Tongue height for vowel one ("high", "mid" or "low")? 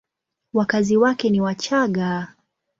low